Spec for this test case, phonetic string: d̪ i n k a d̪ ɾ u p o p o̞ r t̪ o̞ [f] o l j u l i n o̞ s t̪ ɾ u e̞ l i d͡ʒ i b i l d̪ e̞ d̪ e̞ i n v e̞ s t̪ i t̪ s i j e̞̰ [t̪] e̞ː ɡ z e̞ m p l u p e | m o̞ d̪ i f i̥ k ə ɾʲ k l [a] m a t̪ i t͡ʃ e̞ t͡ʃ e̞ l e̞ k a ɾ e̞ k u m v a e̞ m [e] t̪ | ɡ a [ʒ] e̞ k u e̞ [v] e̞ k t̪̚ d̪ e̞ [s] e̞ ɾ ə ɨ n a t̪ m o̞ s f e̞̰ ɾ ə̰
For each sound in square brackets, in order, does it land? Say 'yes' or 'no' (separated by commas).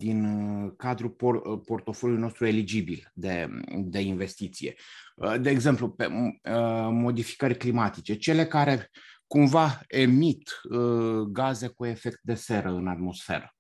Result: yes, no, no, no, no, no, yes